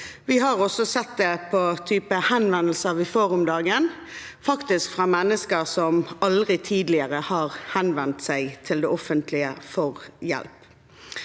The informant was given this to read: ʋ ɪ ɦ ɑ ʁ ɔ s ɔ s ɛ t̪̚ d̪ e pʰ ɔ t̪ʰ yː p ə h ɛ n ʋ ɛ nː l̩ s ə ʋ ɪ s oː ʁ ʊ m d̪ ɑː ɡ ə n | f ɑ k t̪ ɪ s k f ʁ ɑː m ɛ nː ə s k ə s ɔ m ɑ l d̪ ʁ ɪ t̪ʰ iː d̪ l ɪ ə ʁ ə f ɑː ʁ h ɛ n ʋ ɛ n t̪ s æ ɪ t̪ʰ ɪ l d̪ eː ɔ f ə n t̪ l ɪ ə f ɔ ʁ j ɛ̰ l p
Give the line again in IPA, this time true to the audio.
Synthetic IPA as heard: ʋ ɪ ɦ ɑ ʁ ɔ s ɔ s ɛ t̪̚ d̪ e pʰ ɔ t̪ʰ yː p ə h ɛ n ʋ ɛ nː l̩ s ə ʋ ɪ f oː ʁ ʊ m d̪ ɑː ɡ ə n | f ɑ k t̪ ɪ s k f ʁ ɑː m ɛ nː ə s k ə s ɔ m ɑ l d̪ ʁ ɪ t̪ʰ iː d̪ l ɪ ə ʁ ə h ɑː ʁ h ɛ n ʋ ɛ n t̪ s æ ɪ t̪ʰ ɪ l d̪ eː ɔ f ə n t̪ l ɪ ə f ɔ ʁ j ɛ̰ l p